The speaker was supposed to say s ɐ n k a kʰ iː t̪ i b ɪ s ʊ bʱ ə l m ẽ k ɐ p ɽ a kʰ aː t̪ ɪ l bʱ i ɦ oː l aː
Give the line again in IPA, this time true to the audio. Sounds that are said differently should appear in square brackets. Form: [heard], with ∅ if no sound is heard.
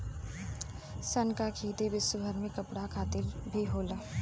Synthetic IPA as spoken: s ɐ n k a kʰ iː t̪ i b ɪ s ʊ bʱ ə [ɾ] m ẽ k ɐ p ɽ a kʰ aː t̪ ɪ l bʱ i ɦ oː l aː